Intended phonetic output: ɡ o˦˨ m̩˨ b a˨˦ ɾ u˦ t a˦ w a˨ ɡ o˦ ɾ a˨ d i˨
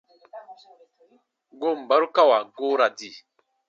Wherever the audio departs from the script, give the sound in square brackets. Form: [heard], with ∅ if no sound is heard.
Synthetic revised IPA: ɡ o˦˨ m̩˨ b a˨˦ ɾ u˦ [k] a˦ w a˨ ɡ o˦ ɾ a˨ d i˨